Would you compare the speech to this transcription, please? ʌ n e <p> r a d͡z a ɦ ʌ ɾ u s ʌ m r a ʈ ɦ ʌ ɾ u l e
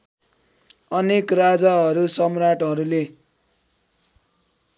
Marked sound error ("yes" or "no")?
yes